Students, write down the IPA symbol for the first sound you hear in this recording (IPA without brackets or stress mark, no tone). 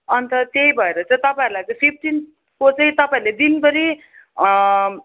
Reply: ʌ